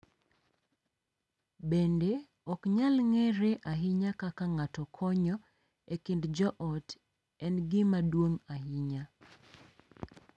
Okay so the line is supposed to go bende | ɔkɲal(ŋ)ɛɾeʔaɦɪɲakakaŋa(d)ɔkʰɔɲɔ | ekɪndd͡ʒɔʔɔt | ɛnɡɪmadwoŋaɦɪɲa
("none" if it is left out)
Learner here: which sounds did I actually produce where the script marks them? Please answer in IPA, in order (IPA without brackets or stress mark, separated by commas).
ŋ, t